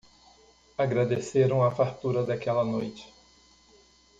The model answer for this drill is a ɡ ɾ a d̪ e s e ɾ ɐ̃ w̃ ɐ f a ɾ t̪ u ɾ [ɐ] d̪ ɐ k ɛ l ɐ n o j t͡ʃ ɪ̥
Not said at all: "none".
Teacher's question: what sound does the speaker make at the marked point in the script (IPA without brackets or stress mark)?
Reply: ɐ